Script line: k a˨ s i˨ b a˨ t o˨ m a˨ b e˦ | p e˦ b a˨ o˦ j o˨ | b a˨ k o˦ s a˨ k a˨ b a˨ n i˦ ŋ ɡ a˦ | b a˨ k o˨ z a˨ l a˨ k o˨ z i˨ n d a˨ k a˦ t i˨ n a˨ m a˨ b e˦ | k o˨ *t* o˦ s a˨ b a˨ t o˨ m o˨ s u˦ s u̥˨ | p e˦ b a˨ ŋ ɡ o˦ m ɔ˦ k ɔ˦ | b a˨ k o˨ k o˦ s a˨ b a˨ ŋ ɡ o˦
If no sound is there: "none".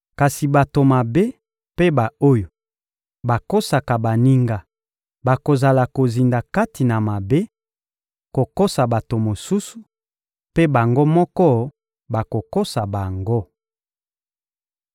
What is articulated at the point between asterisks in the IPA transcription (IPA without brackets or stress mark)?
k